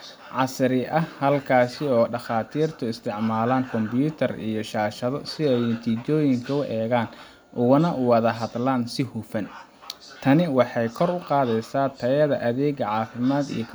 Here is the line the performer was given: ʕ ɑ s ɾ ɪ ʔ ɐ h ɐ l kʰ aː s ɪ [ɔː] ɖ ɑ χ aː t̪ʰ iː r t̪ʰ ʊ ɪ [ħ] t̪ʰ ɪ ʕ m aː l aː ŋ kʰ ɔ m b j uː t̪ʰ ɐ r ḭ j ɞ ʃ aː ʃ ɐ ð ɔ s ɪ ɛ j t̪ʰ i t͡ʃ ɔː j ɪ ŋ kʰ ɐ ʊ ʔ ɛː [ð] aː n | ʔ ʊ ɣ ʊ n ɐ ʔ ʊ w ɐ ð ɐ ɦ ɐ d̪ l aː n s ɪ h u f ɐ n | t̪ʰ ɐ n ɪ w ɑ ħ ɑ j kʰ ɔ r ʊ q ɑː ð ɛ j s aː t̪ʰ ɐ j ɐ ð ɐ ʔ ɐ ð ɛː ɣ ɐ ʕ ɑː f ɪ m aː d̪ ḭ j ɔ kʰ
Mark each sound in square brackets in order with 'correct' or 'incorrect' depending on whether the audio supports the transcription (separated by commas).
correct, incorrect, incorrect